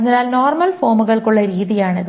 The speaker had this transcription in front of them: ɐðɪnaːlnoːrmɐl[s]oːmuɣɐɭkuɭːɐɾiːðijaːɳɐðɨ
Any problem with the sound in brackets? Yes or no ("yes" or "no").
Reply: yes